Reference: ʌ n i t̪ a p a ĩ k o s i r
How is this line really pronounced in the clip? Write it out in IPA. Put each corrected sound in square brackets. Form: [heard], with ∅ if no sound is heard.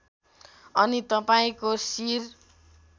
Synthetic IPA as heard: ʌ n i t̪ [ʌ] p a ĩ k o s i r